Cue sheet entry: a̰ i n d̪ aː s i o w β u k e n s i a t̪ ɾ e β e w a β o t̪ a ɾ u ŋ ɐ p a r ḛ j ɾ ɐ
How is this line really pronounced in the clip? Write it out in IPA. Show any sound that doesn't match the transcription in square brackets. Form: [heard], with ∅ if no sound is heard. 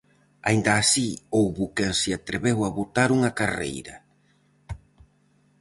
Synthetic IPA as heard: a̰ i n d̪ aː s i o w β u k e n s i a t̪ ɾ e β e w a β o t̪ a ɾ u ŋ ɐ [k] a r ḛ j ɾ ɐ